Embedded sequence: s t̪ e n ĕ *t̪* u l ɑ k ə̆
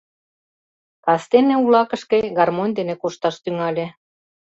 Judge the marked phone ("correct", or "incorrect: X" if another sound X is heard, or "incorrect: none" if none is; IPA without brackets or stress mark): incorrect: none